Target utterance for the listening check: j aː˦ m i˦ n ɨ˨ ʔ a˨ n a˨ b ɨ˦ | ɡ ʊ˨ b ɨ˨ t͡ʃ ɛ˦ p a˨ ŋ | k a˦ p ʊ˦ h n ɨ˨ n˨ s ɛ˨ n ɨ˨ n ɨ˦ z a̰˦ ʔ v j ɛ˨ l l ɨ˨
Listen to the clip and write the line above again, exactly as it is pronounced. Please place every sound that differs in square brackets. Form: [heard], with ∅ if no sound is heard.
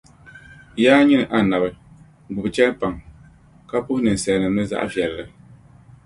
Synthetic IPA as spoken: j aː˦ [ɲ] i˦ n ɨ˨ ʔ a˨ n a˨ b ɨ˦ | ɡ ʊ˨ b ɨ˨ t͡ʃ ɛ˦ p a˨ ŋ | k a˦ p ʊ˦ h n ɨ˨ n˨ s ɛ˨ n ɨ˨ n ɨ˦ z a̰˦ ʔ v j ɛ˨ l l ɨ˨